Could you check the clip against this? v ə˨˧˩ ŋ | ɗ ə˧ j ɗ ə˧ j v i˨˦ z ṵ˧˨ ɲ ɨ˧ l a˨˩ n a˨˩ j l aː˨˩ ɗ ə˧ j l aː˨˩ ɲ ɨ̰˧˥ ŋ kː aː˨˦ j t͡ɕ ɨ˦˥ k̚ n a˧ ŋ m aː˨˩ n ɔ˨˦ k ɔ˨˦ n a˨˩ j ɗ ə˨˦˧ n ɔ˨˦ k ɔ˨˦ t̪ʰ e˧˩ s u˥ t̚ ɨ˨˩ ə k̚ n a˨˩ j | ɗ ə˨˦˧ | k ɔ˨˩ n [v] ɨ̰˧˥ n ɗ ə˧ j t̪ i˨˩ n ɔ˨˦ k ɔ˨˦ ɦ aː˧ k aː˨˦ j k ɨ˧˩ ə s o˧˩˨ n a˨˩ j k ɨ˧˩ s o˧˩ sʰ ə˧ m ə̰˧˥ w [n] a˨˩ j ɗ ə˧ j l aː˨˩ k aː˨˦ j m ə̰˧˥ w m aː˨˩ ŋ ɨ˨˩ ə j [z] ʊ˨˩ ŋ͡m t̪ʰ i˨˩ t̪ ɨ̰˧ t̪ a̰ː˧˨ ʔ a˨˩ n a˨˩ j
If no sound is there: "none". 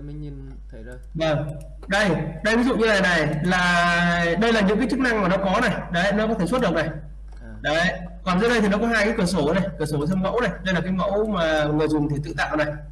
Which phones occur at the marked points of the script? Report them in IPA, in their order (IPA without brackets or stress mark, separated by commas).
z, n, z